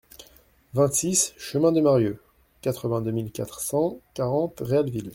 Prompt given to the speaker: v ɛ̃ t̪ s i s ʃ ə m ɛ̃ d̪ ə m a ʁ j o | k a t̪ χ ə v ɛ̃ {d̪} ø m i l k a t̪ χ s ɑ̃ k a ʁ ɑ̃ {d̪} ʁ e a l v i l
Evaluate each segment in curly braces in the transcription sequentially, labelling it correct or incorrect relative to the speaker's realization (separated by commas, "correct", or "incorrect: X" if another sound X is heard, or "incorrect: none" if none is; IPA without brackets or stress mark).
correct, incorrect: t̪